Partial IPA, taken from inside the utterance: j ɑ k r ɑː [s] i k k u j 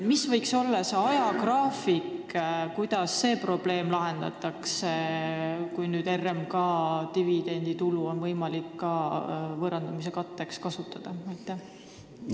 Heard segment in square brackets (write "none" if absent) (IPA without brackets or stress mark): f